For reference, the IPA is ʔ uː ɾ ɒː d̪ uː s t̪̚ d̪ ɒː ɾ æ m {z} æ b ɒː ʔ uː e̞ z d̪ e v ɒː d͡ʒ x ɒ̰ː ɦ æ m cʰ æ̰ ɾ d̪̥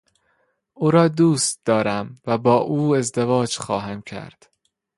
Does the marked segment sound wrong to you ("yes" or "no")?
yes